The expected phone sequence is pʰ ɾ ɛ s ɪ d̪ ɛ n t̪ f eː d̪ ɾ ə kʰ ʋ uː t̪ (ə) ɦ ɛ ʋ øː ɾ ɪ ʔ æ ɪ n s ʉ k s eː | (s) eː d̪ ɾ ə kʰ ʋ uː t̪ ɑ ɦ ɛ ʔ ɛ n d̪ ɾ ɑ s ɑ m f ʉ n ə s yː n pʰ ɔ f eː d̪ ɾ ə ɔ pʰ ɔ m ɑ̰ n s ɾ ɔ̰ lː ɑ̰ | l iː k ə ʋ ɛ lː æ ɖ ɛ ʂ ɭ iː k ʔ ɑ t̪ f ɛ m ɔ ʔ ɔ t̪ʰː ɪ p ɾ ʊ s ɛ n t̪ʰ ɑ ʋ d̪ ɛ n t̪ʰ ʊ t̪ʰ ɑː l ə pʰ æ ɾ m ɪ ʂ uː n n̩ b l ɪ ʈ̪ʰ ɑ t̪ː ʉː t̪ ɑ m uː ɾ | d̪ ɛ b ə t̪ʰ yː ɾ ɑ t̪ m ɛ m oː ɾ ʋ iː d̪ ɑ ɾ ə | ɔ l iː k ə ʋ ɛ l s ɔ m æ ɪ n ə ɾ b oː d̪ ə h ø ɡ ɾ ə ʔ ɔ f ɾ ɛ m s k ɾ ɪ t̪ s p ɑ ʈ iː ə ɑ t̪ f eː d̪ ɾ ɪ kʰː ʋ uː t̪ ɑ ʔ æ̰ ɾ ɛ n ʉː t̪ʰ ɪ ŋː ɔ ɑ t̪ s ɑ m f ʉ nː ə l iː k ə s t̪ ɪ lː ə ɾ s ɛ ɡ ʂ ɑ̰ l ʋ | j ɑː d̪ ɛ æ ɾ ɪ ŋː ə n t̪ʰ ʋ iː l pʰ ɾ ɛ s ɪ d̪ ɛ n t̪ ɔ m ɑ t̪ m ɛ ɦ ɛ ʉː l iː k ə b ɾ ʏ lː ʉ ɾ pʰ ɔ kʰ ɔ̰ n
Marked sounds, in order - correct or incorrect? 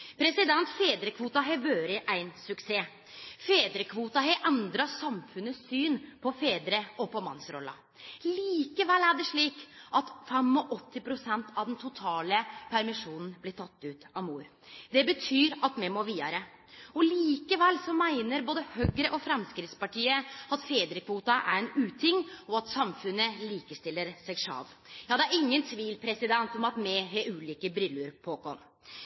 incorrect, incorrect

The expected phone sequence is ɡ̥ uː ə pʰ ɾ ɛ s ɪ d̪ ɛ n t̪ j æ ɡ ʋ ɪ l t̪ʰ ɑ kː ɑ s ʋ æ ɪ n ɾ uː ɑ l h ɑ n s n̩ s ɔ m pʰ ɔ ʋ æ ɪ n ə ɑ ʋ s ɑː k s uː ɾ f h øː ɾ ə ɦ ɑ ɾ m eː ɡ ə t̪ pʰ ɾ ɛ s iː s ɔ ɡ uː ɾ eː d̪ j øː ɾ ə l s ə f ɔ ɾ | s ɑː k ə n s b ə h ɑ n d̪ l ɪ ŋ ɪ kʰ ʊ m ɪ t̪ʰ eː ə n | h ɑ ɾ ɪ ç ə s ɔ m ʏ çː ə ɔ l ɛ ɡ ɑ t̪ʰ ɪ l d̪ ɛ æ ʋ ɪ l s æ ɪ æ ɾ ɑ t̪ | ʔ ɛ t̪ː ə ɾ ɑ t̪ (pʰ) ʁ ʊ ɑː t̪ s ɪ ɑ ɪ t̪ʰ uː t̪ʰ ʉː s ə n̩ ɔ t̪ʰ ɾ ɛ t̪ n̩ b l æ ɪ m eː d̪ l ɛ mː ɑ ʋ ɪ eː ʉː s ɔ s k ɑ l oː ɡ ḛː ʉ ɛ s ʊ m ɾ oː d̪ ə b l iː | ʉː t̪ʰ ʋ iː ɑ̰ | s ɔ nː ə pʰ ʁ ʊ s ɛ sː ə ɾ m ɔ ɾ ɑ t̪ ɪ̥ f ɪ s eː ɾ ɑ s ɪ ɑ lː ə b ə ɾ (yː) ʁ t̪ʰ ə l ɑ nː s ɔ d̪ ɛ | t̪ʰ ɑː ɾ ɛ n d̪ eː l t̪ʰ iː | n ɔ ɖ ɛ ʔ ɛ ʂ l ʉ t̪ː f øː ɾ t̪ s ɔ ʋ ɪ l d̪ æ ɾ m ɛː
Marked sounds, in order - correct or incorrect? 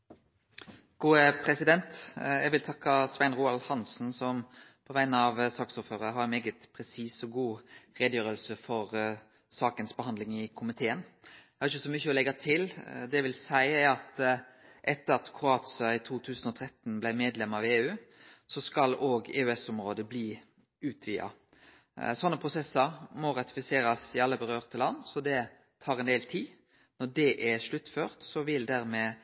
incorrect, incorrect

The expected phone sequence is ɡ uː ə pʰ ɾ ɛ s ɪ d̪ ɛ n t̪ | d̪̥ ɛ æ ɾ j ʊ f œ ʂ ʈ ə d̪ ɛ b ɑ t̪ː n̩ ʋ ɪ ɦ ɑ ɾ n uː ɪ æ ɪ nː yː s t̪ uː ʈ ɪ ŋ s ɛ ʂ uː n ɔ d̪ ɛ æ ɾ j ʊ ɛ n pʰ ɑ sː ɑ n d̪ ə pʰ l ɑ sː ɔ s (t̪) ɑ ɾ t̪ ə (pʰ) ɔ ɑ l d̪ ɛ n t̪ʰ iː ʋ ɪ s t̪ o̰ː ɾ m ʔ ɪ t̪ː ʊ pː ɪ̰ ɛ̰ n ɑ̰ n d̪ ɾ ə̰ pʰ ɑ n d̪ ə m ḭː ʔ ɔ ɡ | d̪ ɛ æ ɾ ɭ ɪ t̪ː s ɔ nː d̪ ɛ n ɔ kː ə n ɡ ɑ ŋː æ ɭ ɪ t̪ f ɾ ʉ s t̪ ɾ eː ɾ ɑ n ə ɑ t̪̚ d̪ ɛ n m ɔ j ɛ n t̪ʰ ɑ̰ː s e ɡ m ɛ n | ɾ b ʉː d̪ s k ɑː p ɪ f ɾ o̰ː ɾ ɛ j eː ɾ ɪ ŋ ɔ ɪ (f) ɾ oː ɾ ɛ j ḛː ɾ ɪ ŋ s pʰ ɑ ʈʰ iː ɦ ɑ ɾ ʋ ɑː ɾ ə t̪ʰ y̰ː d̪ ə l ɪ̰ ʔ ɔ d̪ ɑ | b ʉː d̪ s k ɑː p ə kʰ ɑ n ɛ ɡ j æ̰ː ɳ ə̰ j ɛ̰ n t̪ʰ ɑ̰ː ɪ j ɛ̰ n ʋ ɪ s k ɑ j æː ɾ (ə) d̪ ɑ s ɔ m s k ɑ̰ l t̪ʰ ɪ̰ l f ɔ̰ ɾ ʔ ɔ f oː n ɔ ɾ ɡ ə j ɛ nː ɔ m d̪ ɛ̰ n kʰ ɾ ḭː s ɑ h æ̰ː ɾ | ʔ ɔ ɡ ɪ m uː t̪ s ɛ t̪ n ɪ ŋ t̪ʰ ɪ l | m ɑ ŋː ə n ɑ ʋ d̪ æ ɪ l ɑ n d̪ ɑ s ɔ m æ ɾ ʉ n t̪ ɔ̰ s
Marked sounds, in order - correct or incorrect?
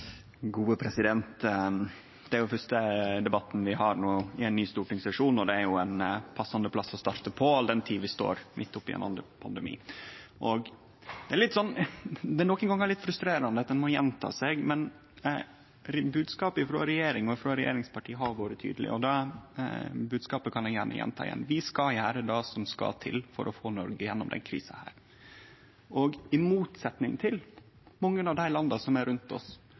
correct, correct, correct, correct

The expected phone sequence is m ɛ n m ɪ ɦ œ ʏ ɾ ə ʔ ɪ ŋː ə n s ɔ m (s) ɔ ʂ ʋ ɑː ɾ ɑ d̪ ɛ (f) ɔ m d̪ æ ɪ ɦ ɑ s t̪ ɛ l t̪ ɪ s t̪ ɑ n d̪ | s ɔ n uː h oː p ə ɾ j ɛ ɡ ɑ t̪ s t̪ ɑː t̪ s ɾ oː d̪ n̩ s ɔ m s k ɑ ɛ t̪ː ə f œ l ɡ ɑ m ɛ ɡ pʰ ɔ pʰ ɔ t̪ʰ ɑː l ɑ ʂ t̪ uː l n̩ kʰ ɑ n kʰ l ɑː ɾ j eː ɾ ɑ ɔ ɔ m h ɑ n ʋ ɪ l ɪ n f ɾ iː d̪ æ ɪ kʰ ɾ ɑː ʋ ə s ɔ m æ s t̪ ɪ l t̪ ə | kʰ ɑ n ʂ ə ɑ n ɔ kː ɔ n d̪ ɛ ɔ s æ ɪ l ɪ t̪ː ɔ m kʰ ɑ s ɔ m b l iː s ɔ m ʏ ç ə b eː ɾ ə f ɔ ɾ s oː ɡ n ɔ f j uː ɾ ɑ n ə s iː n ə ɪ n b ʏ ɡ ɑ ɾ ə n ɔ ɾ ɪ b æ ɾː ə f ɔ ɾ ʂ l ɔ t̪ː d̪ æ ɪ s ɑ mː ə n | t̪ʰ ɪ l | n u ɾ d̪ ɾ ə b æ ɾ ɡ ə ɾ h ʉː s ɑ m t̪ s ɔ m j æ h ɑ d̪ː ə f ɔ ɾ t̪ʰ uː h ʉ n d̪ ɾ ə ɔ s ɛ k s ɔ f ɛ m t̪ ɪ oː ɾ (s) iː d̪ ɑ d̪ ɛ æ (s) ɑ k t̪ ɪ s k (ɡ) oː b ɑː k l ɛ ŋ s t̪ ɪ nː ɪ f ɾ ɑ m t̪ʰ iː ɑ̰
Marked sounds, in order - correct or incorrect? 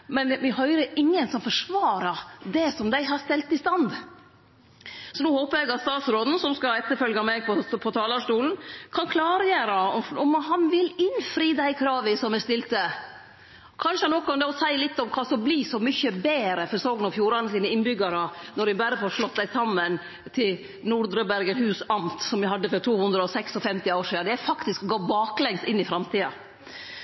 incorrect, incorrect, incorrect, incorrect, correct

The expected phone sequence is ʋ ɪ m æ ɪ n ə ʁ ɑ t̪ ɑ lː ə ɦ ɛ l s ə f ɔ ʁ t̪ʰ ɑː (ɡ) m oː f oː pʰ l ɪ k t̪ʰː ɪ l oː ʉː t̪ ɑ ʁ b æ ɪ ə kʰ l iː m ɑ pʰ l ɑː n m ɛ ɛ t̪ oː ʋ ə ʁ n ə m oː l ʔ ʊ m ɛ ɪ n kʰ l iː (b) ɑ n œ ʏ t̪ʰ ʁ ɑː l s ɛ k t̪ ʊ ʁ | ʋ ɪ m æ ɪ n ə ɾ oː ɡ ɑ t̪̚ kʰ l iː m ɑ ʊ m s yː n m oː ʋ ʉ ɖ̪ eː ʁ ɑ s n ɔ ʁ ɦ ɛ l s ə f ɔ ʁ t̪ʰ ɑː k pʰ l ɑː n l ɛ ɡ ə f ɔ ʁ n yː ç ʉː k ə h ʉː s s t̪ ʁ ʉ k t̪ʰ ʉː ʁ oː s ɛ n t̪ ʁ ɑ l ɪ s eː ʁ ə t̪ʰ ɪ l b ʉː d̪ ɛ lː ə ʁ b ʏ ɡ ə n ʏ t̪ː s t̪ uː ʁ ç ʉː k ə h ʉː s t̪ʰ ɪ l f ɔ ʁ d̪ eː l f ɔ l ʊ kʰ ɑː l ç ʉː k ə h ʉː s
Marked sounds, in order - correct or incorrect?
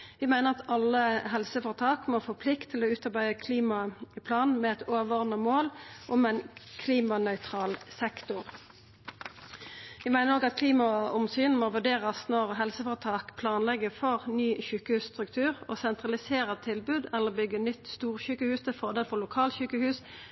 incorrect, incorrect

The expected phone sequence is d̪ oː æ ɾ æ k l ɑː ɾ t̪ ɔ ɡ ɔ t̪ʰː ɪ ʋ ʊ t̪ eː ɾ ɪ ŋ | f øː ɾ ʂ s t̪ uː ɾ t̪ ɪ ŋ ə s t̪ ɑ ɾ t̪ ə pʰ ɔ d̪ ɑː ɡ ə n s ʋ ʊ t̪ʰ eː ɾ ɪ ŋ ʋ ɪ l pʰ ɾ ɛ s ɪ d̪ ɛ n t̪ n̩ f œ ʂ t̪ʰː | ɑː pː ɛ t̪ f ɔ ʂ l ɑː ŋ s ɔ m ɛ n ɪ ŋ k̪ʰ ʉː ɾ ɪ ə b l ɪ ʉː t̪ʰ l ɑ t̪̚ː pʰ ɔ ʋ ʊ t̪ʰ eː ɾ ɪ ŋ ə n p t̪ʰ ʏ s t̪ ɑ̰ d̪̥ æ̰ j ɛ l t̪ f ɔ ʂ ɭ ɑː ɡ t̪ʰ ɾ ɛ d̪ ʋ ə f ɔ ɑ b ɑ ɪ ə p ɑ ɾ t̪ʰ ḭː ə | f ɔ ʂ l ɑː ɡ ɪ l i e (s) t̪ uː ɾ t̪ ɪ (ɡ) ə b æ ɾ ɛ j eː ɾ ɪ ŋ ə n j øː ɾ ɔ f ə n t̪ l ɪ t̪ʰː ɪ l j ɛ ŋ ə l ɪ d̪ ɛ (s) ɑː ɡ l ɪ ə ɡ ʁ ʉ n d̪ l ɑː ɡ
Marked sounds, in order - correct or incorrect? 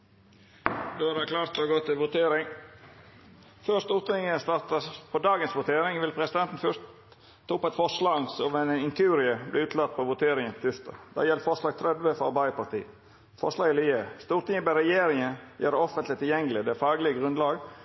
correct, incorrect, incorrect

